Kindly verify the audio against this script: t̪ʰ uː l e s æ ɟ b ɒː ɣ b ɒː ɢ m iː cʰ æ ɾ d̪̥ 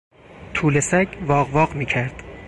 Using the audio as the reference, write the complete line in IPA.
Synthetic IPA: t̪ʰ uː l e s æ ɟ v ɒː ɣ v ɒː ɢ m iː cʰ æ ɾ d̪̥